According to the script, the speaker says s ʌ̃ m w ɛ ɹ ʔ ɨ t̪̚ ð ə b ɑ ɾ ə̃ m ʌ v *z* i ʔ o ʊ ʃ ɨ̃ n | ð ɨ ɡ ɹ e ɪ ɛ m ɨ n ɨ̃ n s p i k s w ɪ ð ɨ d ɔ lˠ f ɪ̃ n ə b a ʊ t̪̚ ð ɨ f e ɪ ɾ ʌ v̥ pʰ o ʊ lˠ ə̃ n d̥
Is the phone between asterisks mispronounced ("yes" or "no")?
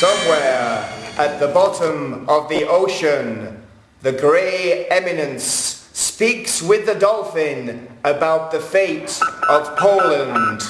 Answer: yes